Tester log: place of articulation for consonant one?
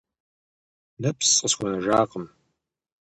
alveolar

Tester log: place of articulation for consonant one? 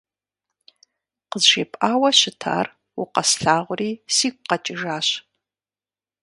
uvular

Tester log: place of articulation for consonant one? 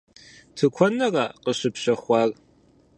alveolar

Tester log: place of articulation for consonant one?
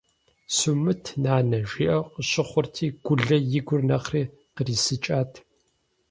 alveolar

